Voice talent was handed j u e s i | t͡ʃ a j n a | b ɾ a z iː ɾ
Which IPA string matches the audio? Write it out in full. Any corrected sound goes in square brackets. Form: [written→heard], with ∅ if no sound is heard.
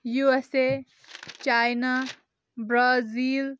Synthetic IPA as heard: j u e s [i→e] | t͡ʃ a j n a | b ɾ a z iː [ɾ→l]